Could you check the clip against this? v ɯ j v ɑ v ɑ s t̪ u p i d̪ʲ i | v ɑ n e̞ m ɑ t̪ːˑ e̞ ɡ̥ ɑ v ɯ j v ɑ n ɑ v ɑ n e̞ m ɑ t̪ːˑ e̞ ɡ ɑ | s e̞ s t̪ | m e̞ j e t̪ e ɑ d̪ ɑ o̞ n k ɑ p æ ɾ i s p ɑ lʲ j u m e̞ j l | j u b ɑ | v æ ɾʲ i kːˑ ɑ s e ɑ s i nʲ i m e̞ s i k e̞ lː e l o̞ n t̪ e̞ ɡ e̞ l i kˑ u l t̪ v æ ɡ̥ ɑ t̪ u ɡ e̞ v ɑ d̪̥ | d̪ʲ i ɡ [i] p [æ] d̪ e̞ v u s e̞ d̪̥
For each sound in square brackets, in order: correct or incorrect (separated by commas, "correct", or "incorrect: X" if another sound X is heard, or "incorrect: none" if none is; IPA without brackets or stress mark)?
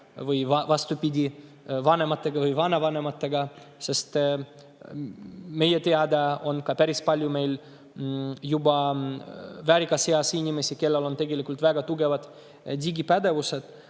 correct, correct